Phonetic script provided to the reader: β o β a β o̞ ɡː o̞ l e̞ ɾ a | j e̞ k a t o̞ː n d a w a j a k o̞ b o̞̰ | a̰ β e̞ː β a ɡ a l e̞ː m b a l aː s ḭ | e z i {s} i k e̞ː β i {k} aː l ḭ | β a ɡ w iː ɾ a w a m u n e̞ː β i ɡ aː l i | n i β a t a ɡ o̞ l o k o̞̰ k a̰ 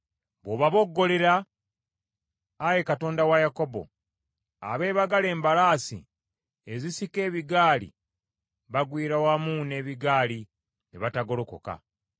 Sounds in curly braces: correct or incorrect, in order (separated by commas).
correct, incorrect